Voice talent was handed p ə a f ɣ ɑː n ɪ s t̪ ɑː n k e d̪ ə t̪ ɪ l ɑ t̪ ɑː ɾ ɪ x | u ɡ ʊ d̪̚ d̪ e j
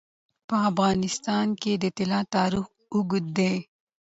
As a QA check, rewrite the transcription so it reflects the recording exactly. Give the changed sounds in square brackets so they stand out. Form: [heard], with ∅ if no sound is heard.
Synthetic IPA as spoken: p ə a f ɣ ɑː n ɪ s t̪ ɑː n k e d̪ ə t̪ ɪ l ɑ t̪ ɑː ɾ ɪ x | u ɡ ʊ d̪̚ d̪ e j